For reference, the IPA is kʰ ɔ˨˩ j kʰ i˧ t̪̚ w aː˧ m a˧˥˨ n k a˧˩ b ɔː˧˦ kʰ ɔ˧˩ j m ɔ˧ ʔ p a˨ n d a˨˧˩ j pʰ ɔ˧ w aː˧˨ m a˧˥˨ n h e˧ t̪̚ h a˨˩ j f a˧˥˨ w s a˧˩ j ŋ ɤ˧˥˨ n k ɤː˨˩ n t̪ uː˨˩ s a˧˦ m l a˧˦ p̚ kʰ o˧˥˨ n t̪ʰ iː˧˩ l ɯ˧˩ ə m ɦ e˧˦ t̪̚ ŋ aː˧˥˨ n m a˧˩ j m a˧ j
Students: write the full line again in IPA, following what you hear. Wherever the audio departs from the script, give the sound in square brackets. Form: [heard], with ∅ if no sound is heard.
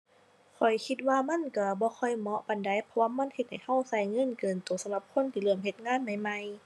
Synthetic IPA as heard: kʰ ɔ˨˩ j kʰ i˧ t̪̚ w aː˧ m a˧˥˨ n k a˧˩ b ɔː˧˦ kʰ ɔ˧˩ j m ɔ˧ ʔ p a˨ n d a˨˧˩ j pʰ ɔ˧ w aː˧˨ m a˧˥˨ n h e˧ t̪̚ h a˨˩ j [h] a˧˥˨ w s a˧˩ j ŋ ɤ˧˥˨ n k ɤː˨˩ n t̪ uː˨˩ s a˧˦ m l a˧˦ p̚ kʰ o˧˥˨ n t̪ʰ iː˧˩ l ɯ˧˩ ə m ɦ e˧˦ t̪̚ ŋ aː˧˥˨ n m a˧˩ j m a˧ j